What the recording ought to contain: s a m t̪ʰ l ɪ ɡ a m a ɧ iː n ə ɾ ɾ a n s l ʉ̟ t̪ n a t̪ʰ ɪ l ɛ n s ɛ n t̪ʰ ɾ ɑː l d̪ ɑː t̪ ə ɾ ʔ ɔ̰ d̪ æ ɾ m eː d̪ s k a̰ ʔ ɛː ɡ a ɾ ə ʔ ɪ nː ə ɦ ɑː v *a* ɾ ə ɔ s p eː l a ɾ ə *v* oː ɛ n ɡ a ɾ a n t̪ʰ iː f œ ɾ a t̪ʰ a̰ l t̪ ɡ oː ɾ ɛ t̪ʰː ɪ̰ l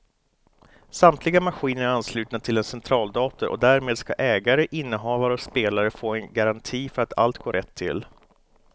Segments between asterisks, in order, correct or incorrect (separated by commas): correct, incorrect